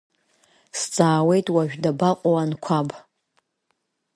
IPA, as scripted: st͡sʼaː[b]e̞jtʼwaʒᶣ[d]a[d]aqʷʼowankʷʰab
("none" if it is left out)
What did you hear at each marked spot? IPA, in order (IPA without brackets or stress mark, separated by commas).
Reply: w, d, b